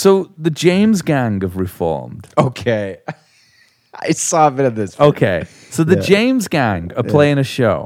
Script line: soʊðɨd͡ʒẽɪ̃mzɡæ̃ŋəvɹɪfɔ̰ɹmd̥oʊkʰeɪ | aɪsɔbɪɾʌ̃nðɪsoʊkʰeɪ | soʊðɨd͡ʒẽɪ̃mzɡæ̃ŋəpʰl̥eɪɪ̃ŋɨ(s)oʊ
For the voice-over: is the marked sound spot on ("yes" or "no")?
no